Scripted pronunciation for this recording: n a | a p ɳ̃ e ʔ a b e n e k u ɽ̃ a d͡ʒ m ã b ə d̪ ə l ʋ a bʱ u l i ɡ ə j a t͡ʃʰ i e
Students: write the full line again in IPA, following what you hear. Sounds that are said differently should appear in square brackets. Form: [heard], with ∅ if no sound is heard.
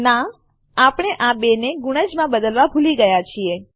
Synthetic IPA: n a | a p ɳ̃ e ʔ a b e n e [ɡ] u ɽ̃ [ə] d͡ʒ m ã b ə d̪ ə l ʋ a bʱ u l i ɡ ə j a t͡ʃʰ i e